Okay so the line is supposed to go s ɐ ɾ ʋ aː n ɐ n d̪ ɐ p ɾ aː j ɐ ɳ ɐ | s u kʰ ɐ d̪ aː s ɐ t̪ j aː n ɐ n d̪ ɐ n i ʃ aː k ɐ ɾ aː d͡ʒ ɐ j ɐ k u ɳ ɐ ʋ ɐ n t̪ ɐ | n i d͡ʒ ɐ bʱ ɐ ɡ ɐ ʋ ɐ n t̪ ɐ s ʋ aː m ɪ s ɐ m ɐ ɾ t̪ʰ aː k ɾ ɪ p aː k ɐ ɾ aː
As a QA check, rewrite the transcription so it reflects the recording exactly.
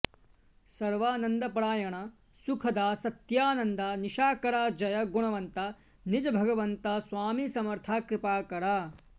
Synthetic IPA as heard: s ɐ ɾ ʋ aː n ɐ n d̪ ɐ p ɾ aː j ɐ ɳ ɐ | s u kʰ ɐ d̪ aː s ɐ t̪ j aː n ɐ n d̪ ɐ n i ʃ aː k ɐ ɾ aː d͡ʒ ɐ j ɐ ɡ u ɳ ɐ ʋ ɐ n t̪ ɐ | n i d͡ʒ ɐ bʱ ɐ ɡ ɐ ʋ ɐ n t̪ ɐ s ʋ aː m i s ɐ m ɐ ɾ t̪ʰ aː k ɾ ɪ p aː k ɐ ɾ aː